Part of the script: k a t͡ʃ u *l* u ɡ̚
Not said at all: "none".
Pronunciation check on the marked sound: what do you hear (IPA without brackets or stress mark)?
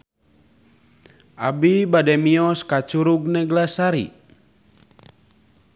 ɾ